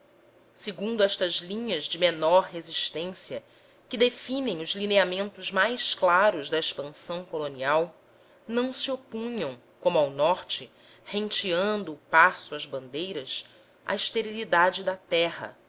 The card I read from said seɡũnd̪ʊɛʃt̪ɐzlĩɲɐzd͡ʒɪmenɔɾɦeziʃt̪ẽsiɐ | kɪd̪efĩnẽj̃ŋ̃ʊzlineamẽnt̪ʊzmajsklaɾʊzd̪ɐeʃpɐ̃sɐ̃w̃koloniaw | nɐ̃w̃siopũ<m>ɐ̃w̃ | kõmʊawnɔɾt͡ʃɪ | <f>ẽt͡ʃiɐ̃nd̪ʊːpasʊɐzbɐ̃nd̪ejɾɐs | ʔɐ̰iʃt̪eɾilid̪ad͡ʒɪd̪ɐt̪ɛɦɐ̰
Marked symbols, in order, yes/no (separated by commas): no, no